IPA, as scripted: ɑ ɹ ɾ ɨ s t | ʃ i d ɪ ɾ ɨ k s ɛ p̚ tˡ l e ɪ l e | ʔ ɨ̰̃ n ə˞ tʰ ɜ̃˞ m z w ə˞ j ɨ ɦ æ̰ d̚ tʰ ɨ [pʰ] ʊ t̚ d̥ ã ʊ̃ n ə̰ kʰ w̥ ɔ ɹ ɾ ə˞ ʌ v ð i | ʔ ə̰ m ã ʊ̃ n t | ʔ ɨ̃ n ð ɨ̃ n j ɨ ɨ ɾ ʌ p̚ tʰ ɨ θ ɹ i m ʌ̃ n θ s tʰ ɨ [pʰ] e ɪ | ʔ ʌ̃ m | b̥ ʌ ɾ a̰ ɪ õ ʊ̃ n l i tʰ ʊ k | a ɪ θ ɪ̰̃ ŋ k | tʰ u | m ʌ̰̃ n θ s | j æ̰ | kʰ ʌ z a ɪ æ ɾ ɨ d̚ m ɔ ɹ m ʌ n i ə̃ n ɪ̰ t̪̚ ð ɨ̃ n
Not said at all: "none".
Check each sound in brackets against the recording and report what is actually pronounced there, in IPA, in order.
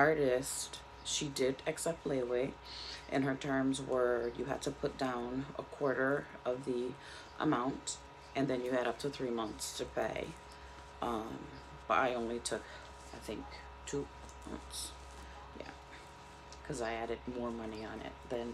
pʰ, pʰ

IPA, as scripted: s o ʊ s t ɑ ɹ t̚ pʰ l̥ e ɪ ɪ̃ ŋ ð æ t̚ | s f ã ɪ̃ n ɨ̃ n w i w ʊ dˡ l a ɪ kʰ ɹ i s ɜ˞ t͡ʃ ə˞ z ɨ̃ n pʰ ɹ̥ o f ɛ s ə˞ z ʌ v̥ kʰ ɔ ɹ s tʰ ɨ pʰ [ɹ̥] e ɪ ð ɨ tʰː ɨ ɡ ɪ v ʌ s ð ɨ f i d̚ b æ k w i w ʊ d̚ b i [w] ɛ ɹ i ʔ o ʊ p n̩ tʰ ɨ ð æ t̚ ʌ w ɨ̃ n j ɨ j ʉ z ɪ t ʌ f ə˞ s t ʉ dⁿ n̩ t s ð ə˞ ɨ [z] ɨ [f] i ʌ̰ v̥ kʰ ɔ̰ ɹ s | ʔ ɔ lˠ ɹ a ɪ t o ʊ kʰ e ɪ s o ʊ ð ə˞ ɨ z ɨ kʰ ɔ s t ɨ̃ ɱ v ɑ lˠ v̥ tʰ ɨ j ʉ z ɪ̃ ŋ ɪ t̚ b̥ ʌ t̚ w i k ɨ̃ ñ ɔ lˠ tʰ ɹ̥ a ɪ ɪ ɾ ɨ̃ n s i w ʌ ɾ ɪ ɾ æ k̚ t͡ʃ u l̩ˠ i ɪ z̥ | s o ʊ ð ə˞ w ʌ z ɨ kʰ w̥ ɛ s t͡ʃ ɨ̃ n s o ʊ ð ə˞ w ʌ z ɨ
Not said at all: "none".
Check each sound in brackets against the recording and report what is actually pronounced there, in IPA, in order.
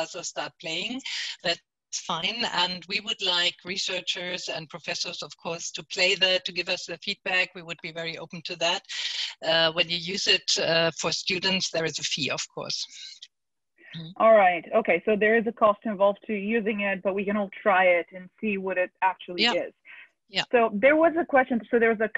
l̥, v, z, f

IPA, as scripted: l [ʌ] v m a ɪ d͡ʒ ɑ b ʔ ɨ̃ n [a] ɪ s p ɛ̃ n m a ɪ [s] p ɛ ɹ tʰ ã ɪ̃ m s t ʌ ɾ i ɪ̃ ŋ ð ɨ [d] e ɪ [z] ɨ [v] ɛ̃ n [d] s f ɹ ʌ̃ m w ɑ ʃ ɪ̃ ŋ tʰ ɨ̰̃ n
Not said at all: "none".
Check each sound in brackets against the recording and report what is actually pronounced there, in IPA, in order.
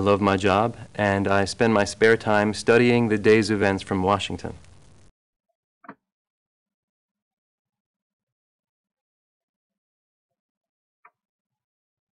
ʌ, a, s, d, z, v, t

